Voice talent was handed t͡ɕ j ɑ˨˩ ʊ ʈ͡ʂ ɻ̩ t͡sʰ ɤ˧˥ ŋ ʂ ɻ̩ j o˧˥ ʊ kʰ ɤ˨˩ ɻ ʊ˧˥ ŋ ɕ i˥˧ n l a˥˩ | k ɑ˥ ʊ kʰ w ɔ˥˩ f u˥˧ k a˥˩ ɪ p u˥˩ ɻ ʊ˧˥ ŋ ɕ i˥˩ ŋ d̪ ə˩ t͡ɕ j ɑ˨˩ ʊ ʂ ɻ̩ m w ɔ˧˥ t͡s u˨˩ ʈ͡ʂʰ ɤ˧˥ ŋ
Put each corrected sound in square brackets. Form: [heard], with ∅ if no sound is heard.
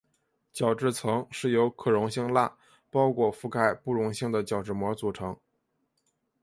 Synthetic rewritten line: t͡ɕ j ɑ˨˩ ʊ ʈ͡ʂ ɻ̩ t͡sʰ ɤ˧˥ ŋ ʂ ɻ̩ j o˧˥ ʊ kʰ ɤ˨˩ ɻ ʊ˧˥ ŋ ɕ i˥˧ [ŋ] l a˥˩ | [p] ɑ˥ ʊ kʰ w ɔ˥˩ f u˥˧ k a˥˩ ɪ p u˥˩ ɻ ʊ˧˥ ŋ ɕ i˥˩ ŋ d̪ ə˩ t͡ɕ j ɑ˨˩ ʊ [ʈ͡ʂ] ɻ̩ m w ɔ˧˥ t͡s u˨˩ ʈ͡ʂʰ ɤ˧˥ ŋ